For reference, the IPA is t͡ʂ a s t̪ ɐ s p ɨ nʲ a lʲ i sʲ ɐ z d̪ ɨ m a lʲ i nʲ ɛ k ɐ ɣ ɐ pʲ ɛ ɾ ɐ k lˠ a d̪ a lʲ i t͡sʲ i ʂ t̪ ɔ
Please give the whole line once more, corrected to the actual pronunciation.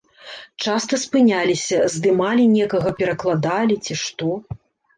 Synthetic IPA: t͡ʂ a s t̪ ɐ s p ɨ nʲ a lʲ i sʲ ɐ z d̪ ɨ m a lʲ i nʲ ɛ k ɐ ɣ ɐ pʲ ɛ ɾ ɐ k lˠ a d̪ a lʲ i t͡sʲ i ʂ t̪ ɔ

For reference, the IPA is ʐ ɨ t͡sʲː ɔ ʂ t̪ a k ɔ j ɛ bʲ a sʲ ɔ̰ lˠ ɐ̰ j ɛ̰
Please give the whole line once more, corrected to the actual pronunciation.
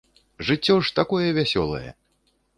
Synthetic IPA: ʐ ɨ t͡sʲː ɔ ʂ t̪ a k ɔ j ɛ vʲ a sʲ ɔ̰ lˠ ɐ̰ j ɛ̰

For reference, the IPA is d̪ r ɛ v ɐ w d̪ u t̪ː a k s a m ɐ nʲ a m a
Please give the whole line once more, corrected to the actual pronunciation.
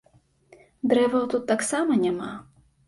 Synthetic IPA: d̪ ɾ ɛ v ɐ w t̪ u t̪ː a k s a m ɐ nʲ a m a

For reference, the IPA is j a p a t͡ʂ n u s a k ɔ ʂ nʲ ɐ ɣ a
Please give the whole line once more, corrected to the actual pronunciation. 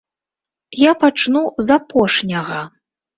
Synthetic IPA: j a p a t͡ʂ n u z a p ɔ ʂ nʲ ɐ ɣ ɐ

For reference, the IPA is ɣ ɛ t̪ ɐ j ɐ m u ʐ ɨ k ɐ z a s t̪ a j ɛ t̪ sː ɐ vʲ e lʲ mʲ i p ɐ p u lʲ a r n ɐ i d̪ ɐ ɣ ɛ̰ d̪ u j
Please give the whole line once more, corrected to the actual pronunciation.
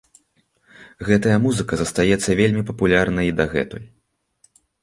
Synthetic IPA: ɣ ɛ t̪ ɐ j ɐ m u z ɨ k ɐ z ɐ s t̪ a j ɛ t̪ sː ɐ vʲ e lʲ mʲ i p ɐ p u lʲ a r n ɐ i d̪ ɐ ɣ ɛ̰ t̪ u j

